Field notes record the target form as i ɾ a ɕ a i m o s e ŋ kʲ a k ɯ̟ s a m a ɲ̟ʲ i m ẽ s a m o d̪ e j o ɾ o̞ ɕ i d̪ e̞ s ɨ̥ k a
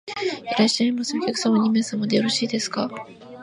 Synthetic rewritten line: i ɾ a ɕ a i m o s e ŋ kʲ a k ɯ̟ s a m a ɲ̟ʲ i m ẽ s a m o d̪ e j o ɾ o̞ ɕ iː d̪ e̞ s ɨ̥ k a